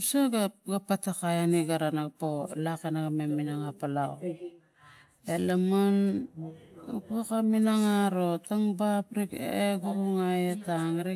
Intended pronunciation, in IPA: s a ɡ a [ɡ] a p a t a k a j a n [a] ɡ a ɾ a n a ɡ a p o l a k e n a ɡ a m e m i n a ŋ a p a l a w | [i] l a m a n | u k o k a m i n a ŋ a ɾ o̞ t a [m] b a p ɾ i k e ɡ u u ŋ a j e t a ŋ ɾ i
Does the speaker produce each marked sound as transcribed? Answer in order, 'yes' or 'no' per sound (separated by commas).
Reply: yes, no, no, no